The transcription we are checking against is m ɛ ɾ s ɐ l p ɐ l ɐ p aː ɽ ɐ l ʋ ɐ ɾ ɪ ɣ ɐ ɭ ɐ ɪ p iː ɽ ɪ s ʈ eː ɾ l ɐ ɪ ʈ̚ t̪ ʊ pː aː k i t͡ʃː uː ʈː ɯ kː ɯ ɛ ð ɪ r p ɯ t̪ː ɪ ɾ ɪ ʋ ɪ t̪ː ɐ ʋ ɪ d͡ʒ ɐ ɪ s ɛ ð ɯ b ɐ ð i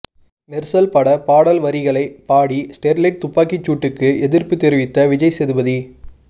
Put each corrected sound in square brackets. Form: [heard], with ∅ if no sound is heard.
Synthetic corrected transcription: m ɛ ɾ s ɐ l p ɐ [ɽ] ɐ p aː ɽ ɐ l ʋ ɐ ɾ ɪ ɣ ɐ ɭ ɐ ɪ p [aː] ɽ [i] s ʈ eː ɾ l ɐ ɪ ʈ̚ t̪ ʊ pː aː k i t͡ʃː uː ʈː ɯ kː ɯ ɛ ð ɪ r p ɯ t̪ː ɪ ɾ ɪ ʋ ɪ t̪ː ɐ ʋ ɪ d͡ʒ ɐ ɪ s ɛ ð ɯ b ɐ ð i

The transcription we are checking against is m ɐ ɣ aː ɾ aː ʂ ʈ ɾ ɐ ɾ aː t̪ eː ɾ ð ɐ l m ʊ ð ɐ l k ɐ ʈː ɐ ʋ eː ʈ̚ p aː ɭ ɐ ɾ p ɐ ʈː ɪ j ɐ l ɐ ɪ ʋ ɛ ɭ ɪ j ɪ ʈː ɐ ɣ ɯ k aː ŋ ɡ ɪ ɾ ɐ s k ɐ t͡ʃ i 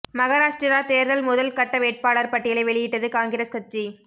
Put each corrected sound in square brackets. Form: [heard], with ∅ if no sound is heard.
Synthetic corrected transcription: m ɐ ɣ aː ɾ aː ʂ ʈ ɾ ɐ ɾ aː t̪ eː ɾ ð ɐ l m ʊ ð ɐ l k ɐ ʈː ɐ ʋ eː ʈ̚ p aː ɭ ɐ ɾ p ɐ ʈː ɪ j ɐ l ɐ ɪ ʋ ɛ ɭ ɪ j ɪ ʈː ɐ [ð] ɯ k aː ŋ ɡ ɪ ɾ ɐ s k ɐ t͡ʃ i

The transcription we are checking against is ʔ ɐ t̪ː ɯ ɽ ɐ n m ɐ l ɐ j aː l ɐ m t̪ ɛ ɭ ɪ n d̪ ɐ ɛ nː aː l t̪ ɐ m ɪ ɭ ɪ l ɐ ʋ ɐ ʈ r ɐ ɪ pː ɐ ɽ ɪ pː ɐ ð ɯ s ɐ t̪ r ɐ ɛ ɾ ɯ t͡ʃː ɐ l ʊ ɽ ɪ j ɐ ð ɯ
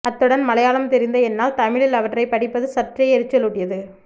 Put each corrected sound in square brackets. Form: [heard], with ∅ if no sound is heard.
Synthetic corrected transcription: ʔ ɐ t̪ː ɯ ɽ ɐ n m ɐ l ɐ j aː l ɐ m t̪ ɛ [ɾ] ɪ n d̪ ɐ ɛ nː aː l t̪ ɐ m ɪ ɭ ɪ l ɐ ʋ ɐ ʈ r ɐ ɪ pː ɐ ɽ ɪ pː ɐ ð ɯ s ɐ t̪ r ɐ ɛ ɾ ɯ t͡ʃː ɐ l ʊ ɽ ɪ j ɐ ð ɯ

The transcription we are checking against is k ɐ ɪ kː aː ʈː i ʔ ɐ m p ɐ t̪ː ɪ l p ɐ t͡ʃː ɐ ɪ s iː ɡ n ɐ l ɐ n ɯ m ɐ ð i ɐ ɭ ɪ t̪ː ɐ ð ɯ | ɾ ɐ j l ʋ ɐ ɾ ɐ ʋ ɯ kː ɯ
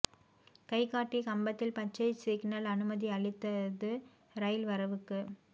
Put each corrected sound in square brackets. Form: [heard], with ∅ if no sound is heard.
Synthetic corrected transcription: k ɐ ɪ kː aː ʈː i [k] ɐ m [b] ɐ t̪ː ɪ l p ɐ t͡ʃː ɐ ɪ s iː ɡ n ɐ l ɐ n ɯ m ɐ ð i ɐ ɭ ɪ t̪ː ɐ ð ɯ | ɾ ɐ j l ʋ ɐ ɾ ɐ ʋ ɯ kː ɯ

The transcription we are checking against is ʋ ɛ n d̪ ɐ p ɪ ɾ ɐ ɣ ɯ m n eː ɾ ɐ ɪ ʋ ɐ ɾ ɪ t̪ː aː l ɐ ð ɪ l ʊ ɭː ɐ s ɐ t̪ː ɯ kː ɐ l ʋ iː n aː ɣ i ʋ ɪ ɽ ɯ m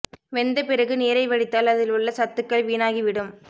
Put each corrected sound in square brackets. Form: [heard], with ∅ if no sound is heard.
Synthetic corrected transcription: ʋ ɛ n d̪ ɐ p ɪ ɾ ɐ ɣ ɯ [∅] n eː ɾ ɐ ɪ ʋ ɐ [ɽ] ɪ t̪ː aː l ɐ ð ɪ l ʊ ɭː ɐ s ɐ t̪ː ɯ kː ɐ [ɭ] ʋ iː n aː ɣ i ʋ ɪ ɽ ɯ m

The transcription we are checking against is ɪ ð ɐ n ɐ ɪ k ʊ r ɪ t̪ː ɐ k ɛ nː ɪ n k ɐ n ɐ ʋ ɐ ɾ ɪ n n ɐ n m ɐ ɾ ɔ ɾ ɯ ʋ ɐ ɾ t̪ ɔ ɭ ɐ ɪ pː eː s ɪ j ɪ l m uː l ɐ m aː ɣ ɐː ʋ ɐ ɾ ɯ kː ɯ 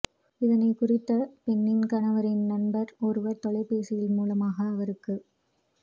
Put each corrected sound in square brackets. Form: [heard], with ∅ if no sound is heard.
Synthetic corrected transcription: ɪ ð ɐ n ɐ ɪ k ʊ r ɪ t̪ː ɐ [p] ɛ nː ɪ n k ɐ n ɐ ʋ ɐ ɾ ɪ n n ɐ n [b] ɐ ɾ ɔ ɾ ɯ ʋ ɐ ɾ t̪ ɔ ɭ ɐ ɪ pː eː s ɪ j ɪ l m uː l ɐ m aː ɣ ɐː ʋ ɐ ɾ ɯ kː ɯ

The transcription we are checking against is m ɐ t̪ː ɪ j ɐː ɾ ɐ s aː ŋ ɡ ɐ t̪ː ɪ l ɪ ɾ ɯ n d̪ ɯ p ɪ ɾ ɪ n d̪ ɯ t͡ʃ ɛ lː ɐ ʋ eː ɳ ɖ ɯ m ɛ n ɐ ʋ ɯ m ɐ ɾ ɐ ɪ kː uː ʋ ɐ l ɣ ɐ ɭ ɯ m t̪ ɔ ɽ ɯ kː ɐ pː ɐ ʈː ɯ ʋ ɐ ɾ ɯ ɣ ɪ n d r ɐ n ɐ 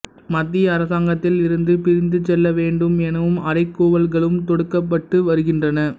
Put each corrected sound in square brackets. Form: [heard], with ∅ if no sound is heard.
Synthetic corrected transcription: m ɐ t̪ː ɪ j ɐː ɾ ɐ s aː ŋ ɡ ɐ t̪ː ɪ l ɪ ɾ ɯ n d̪ ɯ p ɪ ɾ ɪ n d̪ ɯ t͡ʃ ɛ lː ɐ ʋ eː ɳ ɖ ɯ m ɛ n ɐ ʋ ɯ m ɐ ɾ ɐ ɪ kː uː ʋ ɐ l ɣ ɐ ɭ ɯ m t̪ ɔ ɽ ɯ kː ɐ pː ɐ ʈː ɯ ʋ ɐ ɾ ɯ ɣ ɪ n d r ɐ n ɐ

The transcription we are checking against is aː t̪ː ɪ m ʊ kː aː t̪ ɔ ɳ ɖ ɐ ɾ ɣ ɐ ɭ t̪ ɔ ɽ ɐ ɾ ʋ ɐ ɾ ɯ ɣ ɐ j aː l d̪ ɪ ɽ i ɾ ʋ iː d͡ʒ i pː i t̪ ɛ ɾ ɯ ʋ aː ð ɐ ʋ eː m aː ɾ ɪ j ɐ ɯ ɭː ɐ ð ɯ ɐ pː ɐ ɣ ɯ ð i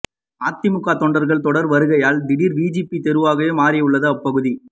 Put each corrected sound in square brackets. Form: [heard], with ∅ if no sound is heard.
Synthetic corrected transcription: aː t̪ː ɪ m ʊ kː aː t̪ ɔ ɳ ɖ ɐ ɾ ɣ ɐ ɭ t̪ ɔ ɽ ɐ ɾ ʋ ɐ ɾ ɯ ɣ ɐ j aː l d̪ ɪ ɽ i ɾ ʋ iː d͡ʒ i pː i t̪ ɛ ɾ ɯ ʋ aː [ɣ] ɐ ʋ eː m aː ɾ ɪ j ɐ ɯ ɭː ɐ ð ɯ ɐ pː ɐ ɣ ɯ ð i

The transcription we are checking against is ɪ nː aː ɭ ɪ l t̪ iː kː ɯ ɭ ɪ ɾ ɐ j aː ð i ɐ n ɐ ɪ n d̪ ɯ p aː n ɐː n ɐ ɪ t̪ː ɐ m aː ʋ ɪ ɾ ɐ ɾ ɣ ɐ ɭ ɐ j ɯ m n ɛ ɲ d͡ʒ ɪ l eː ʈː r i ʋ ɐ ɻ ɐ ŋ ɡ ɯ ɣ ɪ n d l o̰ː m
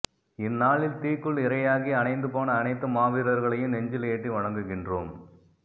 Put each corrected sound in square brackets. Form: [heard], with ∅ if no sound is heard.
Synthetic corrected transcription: ɪ nː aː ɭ ɪ l t̪ iː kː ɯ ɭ ɪ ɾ ɐ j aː [ɣ] i ɐ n ɐ ɪ n d̪ ɯ p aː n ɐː n ɐ ɪ t̪ː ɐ m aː ʋ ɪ ɾ ɐ ɾ ɣ ɐ ɭ ɐ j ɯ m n ɛ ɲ d͡ʒ ɪ l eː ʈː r i ʋ ɐ ɻ ɐ ŋ ɡ ɯ ɣ ɪ n d [r] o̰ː m

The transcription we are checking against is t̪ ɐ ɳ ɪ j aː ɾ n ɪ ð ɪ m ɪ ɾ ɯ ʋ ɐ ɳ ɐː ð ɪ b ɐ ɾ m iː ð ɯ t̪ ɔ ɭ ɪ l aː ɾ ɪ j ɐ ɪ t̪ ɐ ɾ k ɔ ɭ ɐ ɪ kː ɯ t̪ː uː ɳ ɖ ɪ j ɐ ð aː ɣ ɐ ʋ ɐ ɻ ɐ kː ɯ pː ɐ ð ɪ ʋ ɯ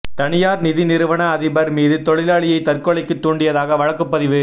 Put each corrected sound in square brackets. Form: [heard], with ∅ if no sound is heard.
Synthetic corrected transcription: t̪ ɐ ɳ ɪ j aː ɾ n ɪ ð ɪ [n] ɪ ɾ ɯ ʋ ɐ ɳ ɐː ð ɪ b ɐ ɾ m iː ð ɯ t̪ ɔ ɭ ɪ l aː [ɭ] ɪ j ɐ ɪ t̪ ɐ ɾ k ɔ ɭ ɐ ɪ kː ɯ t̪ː uː ɳ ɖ ɪ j ɐ ð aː ɣ ɐ ʋ ɐ ɻ ɐ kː ɯ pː ɐ ð ɪ ʋ ɯ

